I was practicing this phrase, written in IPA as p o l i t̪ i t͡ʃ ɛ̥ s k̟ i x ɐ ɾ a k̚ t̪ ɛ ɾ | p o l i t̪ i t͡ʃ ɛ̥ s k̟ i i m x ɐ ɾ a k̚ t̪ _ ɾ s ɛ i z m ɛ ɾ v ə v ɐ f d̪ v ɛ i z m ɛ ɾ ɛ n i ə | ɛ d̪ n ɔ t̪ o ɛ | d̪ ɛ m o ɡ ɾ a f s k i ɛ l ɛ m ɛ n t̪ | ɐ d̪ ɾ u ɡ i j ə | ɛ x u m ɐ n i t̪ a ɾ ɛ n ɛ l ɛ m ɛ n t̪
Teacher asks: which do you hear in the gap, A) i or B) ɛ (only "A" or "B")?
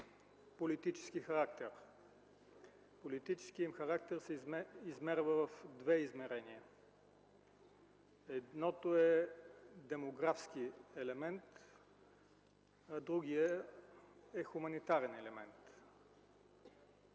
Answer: B